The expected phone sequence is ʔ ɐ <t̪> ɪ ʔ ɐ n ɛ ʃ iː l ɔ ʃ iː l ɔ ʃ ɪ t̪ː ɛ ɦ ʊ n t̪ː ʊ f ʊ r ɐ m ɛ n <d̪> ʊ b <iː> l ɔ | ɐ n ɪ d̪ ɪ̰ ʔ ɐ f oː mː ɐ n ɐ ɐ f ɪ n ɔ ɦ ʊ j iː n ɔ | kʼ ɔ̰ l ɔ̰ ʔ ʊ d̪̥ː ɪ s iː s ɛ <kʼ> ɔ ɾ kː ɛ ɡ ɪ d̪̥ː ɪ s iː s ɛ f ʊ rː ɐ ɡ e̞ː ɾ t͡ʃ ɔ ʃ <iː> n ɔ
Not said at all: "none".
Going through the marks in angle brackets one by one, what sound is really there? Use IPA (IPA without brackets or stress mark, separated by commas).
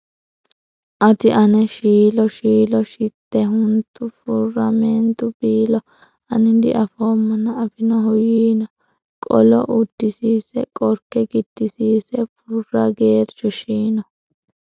t̪, t̪, iː, kʼ, iː